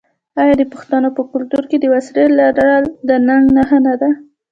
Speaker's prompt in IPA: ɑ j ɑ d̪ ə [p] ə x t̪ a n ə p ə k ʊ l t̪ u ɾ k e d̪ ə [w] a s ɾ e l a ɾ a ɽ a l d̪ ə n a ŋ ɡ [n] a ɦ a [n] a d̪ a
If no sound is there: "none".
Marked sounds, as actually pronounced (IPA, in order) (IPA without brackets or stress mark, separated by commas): p, w, n, n